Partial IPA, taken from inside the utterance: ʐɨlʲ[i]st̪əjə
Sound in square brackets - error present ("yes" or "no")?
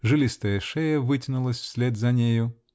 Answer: no